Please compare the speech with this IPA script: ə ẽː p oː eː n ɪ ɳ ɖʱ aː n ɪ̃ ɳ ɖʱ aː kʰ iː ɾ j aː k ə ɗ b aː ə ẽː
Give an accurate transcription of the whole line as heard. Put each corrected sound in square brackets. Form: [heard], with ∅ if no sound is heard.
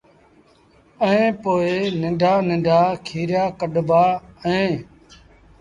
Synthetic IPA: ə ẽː p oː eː n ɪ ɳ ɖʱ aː n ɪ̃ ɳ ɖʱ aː kʰ iː ɾ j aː k ə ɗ b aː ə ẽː

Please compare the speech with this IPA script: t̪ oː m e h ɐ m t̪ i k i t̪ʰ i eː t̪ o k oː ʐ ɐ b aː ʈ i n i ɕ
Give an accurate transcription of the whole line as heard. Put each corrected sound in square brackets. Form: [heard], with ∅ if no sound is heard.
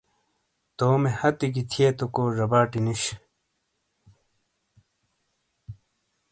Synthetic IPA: t̪ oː m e h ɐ [∅] t̪ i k i t̪ʰ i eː t̪ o k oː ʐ ɐ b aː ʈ i n i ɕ

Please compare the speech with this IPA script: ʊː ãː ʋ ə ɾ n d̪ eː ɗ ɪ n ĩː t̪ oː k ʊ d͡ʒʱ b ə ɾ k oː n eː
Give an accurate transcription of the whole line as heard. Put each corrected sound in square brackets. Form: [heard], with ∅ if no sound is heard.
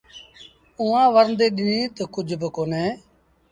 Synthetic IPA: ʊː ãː ʋ ə ɾ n d̪ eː ɗ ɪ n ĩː t̪ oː k ʊ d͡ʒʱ b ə [∅] k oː n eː

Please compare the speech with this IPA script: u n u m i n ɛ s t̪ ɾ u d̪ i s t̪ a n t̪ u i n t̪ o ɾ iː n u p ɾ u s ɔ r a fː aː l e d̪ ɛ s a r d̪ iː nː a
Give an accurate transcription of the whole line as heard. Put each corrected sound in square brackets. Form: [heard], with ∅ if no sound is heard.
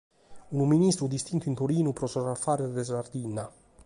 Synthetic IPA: u n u m i n [i] s t̪ ɾ u d̪ i s t̪ [i] n t̪ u i n t̪ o ɾ iː n u p ɾ [ɔ] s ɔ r a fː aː [ɾ] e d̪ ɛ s a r d̪ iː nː a

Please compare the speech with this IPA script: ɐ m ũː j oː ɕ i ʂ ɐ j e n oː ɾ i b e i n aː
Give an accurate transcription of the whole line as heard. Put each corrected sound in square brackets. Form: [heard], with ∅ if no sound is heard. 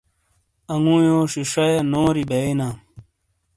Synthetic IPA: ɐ [ŋ] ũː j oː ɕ i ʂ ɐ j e n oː ɾ i b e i n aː

